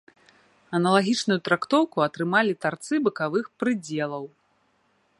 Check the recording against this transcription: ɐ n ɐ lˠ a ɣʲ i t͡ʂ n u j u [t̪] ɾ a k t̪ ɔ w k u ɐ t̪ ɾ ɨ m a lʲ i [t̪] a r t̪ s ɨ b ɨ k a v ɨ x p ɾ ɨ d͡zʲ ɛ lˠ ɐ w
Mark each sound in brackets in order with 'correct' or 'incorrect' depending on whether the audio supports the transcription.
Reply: correct, correct

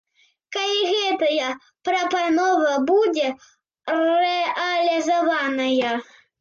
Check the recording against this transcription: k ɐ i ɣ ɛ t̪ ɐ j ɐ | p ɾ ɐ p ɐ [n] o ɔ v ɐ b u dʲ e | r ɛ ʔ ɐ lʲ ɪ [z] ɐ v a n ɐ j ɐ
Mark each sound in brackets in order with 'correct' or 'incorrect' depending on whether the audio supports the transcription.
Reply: correct, correct

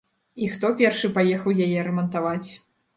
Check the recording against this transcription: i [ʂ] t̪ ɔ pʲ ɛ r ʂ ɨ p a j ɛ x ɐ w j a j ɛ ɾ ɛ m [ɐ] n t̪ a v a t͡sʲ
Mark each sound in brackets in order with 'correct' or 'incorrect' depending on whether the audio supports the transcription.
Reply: incorrect, correct

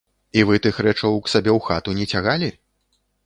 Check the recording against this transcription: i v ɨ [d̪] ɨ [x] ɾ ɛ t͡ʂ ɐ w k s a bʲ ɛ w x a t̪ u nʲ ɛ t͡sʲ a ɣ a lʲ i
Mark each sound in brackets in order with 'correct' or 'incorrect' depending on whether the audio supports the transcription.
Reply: incorrect, correct

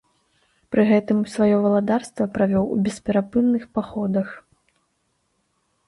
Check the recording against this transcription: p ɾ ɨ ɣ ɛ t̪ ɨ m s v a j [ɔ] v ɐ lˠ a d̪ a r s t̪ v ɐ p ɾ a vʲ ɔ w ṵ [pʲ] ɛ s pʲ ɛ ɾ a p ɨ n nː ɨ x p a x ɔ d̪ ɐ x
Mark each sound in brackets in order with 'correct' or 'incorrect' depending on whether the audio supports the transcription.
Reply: correct, incorrect

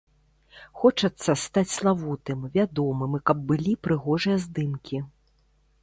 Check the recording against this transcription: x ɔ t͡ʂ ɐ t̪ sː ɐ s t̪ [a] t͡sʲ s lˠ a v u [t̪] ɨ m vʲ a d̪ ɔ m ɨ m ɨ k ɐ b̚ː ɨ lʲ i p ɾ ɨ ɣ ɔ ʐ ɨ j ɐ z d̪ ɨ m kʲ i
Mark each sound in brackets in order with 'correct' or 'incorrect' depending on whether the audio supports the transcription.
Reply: correct, correct

